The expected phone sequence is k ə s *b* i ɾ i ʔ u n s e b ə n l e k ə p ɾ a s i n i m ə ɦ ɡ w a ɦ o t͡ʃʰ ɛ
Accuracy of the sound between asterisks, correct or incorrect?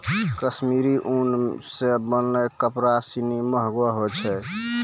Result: incorrect: m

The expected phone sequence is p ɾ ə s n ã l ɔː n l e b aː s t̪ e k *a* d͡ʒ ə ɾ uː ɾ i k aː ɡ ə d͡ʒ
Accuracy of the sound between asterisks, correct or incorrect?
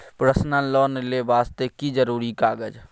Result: incorrect: i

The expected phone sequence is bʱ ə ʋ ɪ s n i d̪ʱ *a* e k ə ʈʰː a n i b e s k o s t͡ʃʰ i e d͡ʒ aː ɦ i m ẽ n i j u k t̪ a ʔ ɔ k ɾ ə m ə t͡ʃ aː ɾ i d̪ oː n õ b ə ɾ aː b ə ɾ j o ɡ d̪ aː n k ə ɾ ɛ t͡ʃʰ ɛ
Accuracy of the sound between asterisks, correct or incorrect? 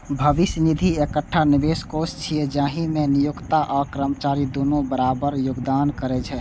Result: incorrect: i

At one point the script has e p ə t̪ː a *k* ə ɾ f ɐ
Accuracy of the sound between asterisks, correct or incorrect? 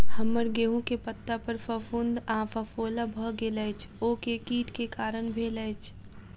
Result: incorrect: p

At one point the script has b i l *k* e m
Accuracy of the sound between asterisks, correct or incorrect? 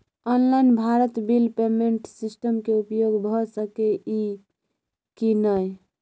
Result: incorrect: p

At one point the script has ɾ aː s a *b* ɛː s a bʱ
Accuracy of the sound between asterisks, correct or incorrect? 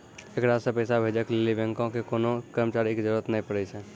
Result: incorrect: p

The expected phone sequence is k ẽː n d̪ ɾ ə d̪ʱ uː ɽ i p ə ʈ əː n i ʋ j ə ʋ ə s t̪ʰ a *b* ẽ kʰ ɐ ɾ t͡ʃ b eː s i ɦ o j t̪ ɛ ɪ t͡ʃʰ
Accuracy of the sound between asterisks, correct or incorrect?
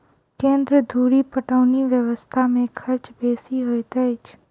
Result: incorrect: m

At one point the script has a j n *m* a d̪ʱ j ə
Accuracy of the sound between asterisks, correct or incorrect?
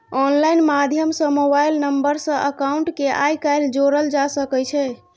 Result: correct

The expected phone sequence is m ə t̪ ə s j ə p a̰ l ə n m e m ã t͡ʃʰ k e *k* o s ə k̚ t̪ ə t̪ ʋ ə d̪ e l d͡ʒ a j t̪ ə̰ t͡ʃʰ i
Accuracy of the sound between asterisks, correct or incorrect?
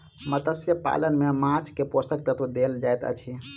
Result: incorrect: p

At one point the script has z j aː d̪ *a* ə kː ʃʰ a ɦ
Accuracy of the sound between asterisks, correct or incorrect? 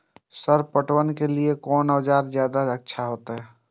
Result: correct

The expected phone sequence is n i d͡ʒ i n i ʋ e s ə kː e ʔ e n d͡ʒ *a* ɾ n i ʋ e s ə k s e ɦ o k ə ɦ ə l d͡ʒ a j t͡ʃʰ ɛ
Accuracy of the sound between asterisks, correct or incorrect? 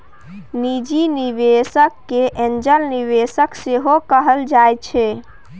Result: incorrect: ə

